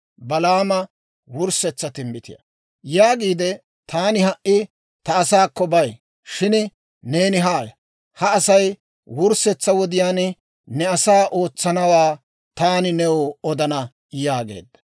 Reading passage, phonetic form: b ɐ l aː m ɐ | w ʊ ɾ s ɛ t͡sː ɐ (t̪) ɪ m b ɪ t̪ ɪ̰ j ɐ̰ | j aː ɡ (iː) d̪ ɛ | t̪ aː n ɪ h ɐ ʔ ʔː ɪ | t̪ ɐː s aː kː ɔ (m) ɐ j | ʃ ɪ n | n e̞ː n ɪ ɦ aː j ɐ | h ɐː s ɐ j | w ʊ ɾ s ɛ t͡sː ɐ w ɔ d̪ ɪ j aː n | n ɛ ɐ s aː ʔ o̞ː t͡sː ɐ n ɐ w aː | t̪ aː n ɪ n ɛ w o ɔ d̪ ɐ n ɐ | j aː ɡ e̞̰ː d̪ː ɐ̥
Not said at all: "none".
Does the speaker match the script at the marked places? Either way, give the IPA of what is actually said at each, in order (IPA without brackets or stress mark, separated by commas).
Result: t̪, iː, b